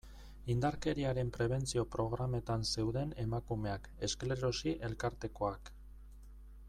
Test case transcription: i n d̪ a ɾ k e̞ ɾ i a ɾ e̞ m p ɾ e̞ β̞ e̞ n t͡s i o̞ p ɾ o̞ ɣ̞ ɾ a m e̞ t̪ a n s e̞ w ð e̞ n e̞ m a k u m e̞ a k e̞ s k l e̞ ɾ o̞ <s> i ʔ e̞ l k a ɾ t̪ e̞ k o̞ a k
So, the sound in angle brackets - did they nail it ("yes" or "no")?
yes